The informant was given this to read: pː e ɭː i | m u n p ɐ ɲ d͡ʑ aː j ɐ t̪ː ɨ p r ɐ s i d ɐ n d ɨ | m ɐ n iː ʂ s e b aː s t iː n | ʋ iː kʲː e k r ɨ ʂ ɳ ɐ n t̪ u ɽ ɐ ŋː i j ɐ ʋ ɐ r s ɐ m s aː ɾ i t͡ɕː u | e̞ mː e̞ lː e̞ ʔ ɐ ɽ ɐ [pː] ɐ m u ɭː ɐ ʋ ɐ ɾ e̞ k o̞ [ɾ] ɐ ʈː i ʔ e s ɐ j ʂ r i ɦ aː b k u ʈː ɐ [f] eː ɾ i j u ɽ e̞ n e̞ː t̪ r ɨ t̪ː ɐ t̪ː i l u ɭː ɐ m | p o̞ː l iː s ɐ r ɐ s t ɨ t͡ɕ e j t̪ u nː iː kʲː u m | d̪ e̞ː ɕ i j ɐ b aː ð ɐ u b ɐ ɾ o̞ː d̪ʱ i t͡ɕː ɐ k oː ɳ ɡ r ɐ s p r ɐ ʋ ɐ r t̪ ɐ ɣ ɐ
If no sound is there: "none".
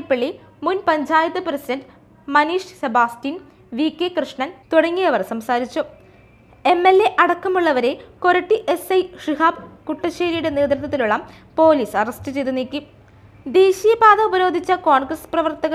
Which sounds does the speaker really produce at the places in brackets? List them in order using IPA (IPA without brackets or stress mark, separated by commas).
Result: kː, ɾ, ɕ